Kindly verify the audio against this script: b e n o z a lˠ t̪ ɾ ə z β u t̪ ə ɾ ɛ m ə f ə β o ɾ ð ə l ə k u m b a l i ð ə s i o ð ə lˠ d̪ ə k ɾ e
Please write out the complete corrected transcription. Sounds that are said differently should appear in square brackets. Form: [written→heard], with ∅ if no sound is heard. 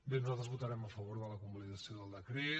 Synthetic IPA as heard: b e n [o→u] z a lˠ t̪ ɾ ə z β u t̪ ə ɾ ɛ m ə f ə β o ɾ ð ə l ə k u m b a l i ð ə s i o ð ə lˠ d̪ ə k ɾ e